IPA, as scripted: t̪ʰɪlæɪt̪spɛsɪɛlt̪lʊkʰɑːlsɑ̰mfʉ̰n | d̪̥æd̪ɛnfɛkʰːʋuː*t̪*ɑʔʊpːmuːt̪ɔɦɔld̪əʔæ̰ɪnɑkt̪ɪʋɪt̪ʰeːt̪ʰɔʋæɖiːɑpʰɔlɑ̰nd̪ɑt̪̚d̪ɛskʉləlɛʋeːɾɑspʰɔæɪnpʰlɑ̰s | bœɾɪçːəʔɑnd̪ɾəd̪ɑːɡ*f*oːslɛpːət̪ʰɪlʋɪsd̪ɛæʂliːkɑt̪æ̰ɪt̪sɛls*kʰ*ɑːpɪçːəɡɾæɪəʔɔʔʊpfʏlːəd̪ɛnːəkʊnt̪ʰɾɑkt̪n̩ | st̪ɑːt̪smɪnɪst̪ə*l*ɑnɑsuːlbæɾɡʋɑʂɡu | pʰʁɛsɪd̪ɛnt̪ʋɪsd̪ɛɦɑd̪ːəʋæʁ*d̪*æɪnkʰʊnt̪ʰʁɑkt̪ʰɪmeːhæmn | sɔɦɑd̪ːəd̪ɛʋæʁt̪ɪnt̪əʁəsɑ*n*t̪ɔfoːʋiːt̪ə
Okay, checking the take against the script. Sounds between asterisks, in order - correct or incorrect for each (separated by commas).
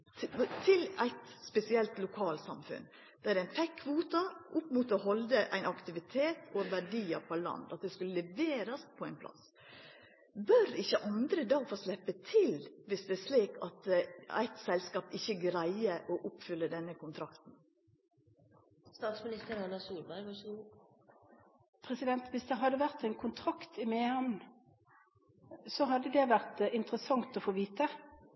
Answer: correct, correct, incorrect, incorrect, incorrect, incorrect